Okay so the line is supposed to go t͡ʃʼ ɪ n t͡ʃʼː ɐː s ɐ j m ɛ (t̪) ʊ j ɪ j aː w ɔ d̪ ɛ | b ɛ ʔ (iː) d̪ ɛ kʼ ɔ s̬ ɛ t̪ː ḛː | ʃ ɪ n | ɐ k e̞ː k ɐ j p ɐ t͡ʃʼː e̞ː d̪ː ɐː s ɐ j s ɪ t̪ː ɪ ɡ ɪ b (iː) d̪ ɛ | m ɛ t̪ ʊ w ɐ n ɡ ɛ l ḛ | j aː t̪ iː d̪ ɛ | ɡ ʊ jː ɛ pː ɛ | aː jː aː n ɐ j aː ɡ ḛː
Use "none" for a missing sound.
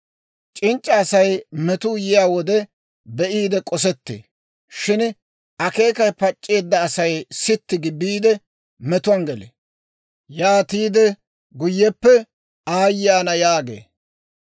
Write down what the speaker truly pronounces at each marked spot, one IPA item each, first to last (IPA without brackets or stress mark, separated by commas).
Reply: t̪, iː, iː